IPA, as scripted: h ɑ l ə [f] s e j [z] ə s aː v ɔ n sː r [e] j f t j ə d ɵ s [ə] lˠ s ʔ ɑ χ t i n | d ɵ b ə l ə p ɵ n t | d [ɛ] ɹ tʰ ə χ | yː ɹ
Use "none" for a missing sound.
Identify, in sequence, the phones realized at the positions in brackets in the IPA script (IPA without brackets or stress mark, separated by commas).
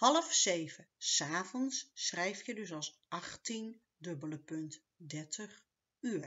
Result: f, v, ɛ, ɑ, ɛ